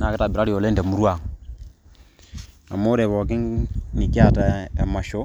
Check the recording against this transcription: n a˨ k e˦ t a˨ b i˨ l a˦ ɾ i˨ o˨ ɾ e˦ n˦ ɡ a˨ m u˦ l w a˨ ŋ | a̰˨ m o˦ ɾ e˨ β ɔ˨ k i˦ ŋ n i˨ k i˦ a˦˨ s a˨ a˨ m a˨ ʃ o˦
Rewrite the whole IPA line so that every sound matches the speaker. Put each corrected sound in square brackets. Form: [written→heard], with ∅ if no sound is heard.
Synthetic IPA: n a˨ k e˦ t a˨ b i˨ [l→ɾ] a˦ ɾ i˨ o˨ [ɾ→l] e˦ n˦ [ɡ→d] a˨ m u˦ [l→ɾ] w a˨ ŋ | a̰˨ m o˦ ɾ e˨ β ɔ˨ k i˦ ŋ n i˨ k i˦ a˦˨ [s→t] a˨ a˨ m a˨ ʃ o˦